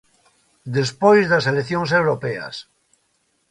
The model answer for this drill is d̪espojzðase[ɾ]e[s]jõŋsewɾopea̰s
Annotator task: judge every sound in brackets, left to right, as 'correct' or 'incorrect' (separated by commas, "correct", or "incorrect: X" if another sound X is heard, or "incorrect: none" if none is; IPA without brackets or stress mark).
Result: incorrect: l, incorrect: θ